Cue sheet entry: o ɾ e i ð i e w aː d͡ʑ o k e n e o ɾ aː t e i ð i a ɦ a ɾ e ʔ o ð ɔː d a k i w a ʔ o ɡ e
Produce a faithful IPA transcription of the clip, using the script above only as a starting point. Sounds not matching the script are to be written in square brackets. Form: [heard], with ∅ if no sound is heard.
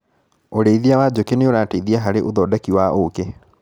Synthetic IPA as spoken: o ɾ e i ð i [a] w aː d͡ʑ o k e n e o ɾ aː t e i ð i a ɦ a ɾ e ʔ o ð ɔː d a k i w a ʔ o [k] e